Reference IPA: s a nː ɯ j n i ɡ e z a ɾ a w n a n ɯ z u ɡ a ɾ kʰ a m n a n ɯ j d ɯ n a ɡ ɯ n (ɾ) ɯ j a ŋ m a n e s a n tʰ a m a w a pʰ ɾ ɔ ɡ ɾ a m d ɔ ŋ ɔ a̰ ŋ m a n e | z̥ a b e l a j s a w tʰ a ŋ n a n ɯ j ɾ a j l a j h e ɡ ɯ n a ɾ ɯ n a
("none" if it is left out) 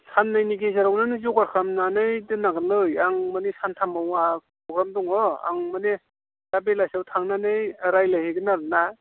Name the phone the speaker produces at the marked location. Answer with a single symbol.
l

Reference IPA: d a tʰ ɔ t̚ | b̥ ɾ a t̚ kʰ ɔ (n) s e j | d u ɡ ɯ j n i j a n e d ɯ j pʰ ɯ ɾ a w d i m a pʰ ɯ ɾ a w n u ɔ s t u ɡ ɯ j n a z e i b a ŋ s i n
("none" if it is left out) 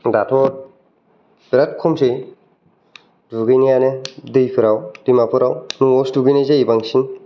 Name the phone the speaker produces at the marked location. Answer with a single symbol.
m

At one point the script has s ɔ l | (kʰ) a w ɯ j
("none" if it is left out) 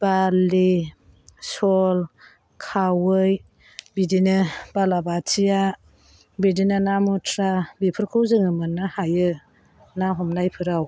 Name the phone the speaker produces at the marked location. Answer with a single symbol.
kʰ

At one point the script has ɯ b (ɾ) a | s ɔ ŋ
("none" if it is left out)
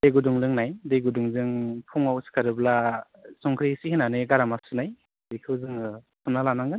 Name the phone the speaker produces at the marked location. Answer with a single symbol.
l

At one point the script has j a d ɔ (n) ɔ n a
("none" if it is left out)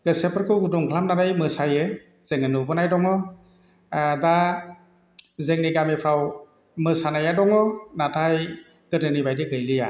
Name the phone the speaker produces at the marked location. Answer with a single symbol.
ŋ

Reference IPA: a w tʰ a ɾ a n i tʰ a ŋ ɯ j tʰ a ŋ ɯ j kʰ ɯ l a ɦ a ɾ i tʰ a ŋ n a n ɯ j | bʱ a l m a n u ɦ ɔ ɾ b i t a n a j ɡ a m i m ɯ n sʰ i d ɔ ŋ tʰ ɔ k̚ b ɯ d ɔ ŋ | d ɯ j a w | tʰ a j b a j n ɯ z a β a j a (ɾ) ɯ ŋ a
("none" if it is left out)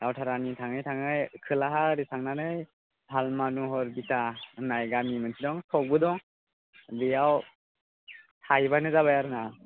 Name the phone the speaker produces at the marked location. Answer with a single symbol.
ɾ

